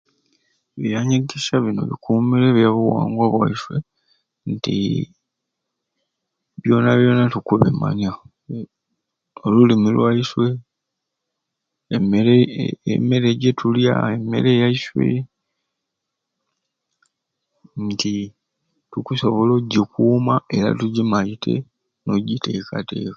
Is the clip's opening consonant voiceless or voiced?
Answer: voiced